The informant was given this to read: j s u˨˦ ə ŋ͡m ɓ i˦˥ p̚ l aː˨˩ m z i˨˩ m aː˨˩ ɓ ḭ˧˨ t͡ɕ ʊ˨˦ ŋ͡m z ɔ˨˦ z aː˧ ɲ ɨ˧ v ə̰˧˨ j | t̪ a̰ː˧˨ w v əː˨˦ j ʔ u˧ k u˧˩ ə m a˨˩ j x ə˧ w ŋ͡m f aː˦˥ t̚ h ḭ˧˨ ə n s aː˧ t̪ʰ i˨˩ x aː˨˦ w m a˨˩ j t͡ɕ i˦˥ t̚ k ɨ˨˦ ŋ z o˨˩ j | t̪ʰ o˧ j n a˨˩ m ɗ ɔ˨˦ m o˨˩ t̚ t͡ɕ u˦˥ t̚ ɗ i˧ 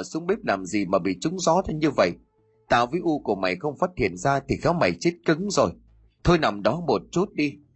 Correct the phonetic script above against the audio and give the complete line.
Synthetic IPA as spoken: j s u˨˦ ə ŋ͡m ɓ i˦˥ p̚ l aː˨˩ m z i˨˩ m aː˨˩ ɓ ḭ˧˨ t͡ɕ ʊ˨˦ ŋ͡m z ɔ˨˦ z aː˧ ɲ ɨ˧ v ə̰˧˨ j | t̪ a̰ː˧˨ w v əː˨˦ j ʔ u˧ k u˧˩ ə m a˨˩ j x ə˧ w ŋ͡m f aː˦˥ t̚ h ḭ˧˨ ə n z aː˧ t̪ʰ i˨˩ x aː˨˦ w m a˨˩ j t͡ɕ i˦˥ t̚ k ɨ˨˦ ŋ z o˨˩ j | t̪ʰ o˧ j n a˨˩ m ɗ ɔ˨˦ m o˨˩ t̚ t͡ɕ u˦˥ t̚ ɗ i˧